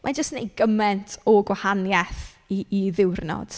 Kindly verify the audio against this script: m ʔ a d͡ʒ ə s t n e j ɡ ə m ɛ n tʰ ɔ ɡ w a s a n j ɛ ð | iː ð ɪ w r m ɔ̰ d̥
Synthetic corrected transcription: m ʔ a d͡ʒ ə s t n e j ɡ ə m ɛ n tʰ ɔ ɡ w a h a n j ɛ θ | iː ð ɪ w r n ɔ̰ d̥

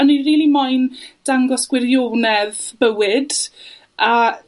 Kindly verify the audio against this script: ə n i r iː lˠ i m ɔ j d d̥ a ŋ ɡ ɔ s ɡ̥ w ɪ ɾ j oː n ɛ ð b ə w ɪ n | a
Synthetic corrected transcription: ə n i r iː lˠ i m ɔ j n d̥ a ŋ ɡ ɔ s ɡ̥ w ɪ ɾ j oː n ɛ ð b ə w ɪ d | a

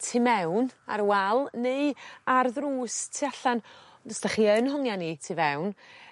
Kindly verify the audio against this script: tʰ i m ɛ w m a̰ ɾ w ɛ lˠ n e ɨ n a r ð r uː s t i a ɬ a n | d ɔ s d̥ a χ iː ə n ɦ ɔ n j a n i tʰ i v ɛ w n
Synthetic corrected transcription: tʰ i m ɛ w n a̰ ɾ w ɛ lˠ n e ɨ a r ð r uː s tʰ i a ɬ a n | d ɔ s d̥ a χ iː ə n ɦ ɔ ŋ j a n i tʰ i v ɛ w n

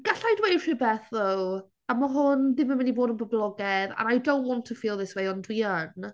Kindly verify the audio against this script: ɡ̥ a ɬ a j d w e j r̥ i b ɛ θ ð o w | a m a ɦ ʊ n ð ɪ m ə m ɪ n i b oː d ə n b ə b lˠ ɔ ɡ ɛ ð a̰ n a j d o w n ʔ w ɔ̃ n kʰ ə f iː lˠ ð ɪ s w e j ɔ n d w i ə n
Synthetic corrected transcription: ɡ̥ a ɬ a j d w e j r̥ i b ɛ θ ð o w | a m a ɦ ʊ n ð ɪ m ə m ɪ n i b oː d ə n b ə b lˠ ɔ ɡ ɛ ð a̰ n a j d o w n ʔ w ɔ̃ n tʰ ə f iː lˠ ð ɪ s w e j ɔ n d w i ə n

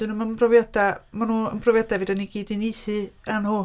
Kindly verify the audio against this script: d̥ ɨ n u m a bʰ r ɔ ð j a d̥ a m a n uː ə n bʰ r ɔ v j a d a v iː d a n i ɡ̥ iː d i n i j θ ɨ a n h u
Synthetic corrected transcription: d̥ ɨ n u m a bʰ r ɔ v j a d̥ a m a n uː ə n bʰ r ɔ v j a d a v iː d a n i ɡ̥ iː d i n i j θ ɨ a n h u

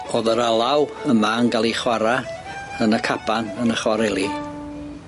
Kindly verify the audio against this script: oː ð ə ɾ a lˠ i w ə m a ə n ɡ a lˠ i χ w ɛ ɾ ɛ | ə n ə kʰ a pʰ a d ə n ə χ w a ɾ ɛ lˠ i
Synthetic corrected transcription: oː ð ə ɾ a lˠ a w ə m a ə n ɡ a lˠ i χ w a ɾ a | ə n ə kʰ a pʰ a n ə n ə χ w a ɾ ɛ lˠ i

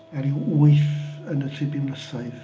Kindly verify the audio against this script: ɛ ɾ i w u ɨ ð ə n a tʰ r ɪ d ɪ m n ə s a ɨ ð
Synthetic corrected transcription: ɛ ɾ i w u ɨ θ ə n ə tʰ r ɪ b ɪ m n ə s a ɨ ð

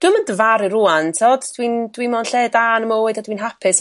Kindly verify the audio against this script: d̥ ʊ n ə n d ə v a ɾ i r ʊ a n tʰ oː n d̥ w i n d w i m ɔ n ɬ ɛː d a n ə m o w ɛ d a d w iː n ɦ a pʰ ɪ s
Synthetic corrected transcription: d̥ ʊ m ə n d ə v a ɾ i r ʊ a n tʰ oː d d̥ w i n d w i m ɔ n ɬ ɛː d a n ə m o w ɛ d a d w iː n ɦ a pʰ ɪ s

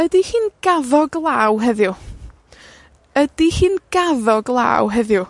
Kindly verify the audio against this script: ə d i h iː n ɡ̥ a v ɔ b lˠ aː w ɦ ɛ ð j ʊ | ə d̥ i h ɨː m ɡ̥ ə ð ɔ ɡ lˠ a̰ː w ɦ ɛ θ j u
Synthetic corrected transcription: ə d i h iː n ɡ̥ a ð ɔ ɡ lˠ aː w ɦ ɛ ð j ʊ | ə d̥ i h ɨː n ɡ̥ a ð ɔ ɡ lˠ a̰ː w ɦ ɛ ð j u

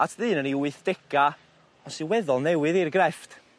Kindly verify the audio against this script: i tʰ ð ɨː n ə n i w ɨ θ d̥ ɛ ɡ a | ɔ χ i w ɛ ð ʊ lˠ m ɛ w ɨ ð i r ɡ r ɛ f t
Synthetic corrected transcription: a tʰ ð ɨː n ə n i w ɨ θ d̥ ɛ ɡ a | ɔ s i w ɛ ð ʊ lˠ n ɛ w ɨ ð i r ɡ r ɛ f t

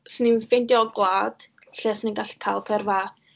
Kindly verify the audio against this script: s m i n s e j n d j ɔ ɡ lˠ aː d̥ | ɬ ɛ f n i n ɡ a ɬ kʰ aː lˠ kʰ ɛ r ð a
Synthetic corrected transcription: s n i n f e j n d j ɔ ɡ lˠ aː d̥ | ɬ ɛ s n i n ɡ a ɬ kʰ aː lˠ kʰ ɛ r v a

